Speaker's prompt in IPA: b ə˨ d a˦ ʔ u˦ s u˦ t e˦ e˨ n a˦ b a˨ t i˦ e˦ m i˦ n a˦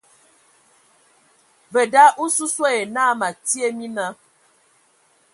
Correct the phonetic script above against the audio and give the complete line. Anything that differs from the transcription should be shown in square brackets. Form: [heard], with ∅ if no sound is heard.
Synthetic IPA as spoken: [v] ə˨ d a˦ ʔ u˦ s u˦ [s] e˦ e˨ n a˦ [m] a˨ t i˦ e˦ m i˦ n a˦